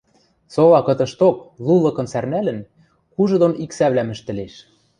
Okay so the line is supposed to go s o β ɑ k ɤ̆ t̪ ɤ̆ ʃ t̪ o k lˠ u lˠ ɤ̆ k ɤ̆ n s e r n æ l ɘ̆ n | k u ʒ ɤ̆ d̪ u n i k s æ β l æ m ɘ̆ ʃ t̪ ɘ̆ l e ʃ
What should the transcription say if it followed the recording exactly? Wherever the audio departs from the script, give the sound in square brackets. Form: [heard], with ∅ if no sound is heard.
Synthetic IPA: s o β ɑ k ɤ̆ t̪ ɤ̆ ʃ t̪ o k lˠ u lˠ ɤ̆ k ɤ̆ n s [æ] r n æ l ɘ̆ n | k u ʒ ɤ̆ d̪ [o] n i k s æ β l æ m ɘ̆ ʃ t̪ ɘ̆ l e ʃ